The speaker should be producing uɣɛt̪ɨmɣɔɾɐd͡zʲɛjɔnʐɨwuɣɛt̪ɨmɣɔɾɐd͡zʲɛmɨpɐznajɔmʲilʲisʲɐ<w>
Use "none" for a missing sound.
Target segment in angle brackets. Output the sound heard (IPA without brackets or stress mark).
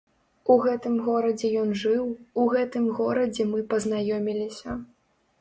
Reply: none